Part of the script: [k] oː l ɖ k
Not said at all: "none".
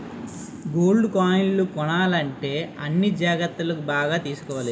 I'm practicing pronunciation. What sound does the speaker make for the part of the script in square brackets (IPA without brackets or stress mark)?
ɡ